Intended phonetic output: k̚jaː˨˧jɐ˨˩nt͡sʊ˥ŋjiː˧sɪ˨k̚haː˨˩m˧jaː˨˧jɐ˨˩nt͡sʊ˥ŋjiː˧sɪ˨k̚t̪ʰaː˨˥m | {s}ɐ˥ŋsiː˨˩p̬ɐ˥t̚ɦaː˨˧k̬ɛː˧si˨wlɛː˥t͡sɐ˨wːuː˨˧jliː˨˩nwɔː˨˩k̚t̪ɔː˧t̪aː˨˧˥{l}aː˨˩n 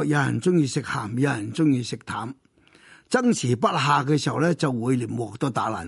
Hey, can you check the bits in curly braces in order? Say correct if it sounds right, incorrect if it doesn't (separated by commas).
incorrect, correct